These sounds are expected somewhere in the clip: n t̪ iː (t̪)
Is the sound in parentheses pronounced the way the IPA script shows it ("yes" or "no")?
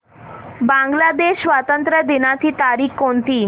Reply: no